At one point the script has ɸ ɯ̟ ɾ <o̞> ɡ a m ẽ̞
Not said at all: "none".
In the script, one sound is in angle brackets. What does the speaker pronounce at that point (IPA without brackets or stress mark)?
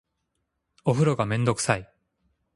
o̞